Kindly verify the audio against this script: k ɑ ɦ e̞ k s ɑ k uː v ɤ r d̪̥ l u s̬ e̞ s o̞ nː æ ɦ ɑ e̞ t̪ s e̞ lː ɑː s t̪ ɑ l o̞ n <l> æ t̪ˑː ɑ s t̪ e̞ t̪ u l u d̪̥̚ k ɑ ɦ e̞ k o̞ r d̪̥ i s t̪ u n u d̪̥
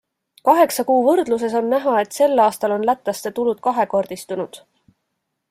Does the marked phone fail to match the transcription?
no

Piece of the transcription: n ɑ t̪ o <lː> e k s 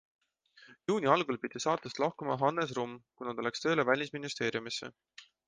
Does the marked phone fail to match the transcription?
yes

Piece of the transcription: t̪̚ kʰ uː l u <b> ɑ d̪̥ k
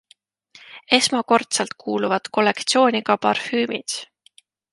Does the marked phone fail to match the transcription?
yes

